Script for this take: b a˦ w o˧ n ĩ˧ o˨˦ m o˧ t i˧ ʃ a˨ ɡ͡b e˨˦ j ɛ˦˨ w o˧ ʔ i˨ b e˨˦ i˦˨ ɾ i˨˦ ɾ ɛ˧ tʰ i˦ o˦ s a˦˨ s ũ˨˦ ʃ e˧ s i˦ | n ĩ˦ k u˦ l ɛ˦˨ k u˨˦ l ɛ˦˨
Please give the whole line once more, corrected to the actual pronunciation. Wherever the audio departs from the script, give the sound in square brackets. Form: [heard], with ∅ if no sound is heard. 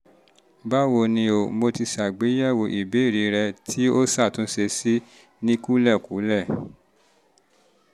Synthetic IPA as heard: b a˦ w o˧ n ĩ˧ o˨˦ m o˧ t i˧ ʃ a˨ ɡ͡b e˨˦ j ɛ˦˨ w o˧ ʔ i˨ b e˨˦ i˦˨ ɾ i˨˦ ɾ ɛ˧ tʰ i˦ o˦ s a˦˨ [t] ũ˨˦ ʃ e˧ s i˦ | n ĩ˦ k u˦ l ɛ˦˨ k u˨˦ l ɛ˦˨